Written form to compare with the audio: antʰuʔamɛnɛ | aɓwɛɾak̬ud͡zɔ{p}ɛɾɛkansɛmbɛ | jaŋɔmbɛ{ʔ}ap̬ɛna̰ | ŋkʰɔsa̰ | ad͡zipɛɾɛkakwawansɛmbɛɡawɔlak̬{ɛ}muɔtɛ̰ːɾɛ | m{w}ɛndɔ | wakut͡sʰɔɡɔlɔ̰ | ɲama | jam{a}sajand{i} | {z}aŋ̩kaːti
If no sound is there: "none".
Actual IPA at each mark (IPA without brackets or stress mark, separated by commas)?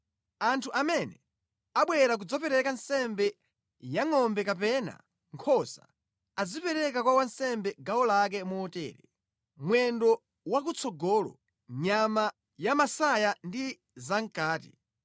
p, k, ɛ, w, a, i, z